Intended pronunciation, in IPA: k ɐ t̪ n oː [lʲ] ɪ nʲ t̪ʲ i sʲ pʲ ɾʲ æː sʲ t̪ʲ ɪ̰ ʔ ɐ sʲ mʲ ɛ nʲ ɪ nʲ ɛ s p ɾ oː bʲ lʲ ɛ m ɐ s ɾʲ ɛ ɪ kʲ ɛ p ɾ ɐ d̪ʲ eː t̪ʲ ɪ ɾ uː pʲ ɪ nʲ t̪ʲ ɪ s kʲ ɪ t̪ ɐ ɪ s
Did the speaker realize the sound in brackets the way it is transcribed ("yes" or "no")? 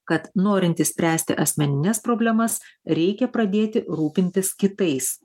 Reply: no